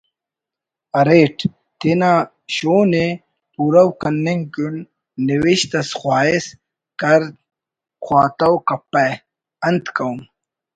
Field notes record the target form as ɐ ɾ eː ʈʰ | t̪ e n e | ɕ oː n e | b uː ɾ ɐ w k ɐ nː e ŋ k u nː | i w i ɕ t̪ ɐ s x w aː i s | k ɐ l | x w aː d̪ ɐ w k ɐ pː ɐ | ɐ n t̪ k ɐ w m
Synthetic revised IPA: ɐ ɾ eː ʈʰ | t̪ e n a | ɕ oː n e | p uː ɾ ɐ w k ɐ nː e ŋ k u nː | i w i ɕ t̪ ɐ s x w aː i s | k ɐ ɾ | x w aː t̪ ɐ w k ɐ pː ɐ | ɐ n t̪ k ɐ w m

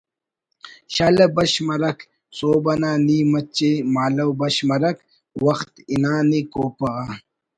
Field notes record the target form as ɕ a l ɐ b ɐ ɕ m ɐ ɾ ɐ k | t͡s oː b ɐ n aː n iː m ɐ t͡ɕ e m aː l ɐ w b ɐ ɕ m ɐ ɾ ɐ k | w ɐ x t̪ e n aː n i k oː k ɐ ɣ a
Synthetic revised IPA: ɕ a l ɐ b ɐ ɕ m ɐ ɾ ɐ k | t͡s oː b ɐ n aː n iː m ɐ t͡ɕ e m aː l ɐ w b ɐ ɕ m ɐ ɾ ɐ k | w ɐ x t̪ i n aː n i k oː p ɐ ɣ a

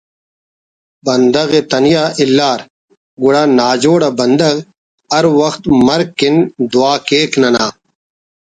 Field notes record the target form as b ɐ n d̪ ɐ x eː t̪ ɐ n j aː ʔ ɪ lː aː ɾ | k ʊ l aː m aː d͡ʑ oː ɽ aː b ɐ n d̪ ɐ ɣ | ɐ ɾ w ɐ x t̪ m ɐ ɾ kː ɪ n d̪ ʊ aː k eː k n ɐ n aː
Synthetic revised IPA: b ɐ n d̪ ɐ ɣ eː t̪ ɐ n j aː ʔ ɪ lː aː ɾ | ɡ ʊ ɽ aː n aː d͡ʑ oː ɽ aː b ɐ n d̪ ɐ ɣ | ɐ ɾ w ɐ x t̪ m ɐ ɾ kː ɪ n d̪ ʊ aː k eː k n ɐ n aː

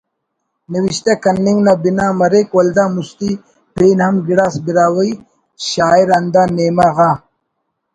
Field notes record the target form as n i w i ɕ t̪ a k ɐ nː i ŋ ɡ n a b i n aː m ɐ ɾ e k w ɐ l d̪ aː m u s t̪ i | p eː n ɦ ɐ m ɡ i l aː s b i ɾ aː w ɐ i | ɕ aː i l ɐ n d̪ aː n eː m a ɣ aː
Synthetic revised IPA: n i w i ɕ t̪ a k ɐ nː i ŋ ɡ n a b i n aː m ɐ ɾ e k w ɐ l d̪ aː m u s t̪ i | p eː n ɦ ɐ m ɡ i ɽ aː s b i ɾ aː w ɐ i | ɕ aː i ɾ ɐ n d̪ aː n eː m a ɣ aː

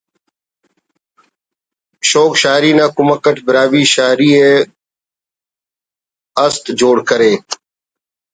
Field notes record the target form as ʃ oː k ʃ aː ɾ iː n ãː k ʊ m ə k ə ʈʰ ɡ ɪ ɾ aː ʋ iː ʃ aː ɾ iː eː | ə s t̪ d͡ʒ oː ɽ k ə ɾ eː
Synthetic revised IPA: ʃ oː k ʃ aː ɾ iː n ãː k ʊ m ə k ə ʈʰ b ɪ ɾ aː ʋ iː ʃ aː ɾ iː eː | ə s t̪ d͡ʒ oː ɽ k ə ɾ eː

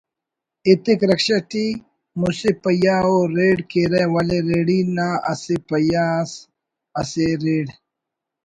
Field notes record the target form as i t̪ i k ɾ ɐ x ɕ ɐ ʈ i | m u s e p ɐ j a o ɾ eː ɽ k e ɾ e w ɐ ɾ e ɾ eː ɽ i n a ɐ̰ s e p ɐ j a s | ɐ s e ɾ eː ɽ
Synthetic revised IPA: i t̪ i k ɾ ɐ k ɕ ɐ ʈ i | m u s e p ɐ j a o ɾ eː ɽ k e ɾ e w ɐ l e ɾ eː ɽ i n a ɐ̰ s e p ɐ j a s | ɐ s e ɾ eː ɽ

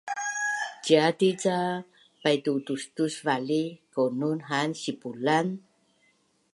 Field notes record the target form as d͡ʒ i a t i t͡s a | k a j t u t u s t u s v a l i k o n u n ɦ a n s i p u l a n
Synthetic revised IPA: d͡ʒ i a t i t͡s a | p a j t u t u s t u s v a l i k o n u n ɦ a n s i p u l a n

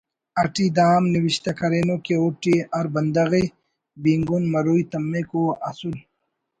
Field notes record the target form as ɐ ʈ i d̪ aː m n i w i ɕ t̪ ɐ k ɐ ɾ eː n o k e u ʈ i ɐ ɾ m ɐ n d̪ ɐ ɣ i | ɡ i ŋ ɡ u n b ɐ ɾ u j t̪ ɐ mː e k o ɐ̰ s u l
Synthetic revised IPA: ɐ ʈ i d̪ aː m n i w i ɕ t̪ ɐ k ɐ ɾ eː n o k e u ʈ i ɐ ɾ b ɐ n d̪ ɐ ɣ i | b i ŋ ɡ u n m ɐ ɾ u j t̪ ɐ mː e k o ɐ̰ s u l

